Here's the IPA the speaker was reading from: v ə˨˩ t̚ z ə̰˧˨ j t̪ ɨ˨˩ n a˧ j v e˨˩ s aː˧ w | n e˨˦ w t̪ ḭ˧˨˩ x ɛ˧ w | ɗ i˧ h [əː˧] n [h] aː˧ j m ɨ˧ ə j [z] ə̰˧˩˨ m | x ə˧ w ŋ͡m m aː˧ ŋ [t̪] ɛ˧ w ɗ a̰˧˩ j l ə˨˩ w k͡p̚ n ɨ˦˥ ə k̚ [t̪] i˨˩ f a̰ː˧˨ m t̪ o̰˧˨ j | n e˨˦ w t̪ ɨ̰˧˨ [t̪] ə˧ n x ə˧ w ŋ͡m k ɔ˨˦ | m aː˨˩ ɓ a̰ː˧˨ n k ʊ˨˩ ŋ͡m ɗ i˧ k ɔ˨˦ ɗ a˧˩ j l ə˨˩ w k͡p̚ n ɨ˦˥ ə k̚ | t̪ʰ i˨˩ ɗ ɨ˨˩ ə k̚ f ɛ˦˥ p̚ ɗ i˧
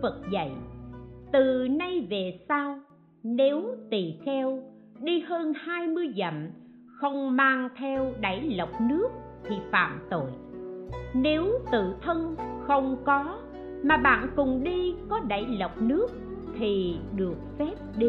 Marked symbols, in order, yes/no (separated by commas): yes, yes, yes, no, no, no